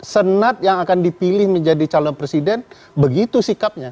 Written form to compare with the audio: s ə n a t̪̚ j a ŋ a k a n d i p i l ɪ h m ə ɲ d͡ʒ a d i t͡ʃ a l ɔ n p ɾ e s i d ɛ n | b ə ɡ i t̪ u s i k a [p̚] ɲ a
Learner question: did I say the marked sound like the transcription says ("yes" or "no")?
yes